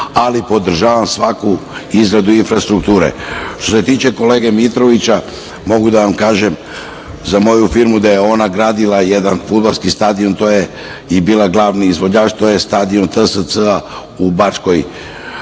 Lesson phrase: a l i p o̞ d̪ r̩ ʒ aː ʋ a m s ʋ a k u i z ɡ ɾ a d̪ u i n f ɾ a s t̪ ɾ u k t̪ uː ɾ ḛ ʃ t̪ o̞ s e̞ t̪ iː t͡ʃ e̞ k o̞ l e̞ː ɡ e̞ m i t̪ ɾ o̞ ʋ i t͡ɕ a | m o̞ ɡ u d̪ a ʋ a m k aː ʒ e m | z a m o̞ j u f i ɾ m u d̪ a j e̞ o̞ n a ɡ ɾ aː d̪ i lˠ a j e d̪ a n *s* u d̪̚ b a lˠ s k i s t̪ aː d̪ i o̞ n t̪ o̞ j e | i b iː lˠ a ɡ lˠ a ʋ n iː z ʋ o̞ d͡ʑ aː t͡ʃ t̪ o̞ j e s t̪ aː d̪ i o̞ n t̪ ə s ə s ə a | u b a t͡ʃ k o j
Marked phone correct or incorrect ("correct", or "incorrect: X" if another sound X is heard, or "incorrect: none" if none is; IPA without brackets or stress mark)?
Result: incorrect: f